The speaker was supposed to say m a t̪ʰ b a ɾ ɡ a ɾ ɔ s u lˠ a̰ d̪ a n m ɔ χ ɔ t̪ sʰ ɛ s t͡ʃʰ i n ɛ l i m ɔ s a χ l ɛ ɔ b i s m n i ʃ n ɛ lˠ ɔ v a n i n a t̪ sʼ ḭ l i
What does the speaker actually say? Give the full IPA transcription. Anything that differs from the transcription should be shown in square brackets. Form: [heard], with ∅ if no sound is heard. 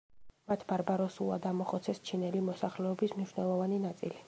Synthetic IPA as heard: m a t̪ʰ b a ɾ [b] a ɾ ɔ s u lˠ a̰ d̪ a [∅] m ɔ χ ɔ t̪ sʰ ɛ s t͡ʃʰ i n ɛ l i m ɔ s a χ l ɛ ɔ b i s m n i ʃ n ɛ lˠ ɔ v a n i n a t̪ sʼ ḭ l i